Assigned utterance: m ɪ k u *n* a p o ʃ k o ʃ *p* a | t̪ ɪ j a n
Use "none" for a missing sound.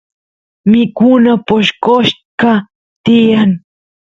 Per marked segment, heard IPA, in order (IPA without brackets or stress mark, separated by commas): n, k